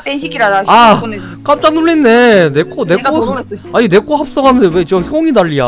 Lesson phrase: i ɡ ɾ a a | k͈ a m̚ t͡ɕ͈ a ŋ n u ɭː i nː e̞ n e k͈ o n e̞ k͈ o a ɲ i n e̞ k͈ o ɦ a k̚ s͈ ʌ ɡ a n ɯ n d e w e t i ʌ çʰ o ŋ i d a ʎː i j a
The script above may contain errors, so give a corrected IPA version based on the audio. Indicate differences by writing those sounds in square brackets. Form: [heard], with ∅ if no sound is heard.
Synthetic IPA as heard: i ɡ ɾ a a | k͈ a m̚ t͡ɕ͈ a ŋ n u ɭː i nː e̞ n e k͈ o n e̞ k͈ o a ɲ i n e̞ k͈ o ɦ a [p̚] s͈ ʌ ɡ a n ɯ n d e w e [t͡ɕ] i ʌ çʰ o ŋ i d a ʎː i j a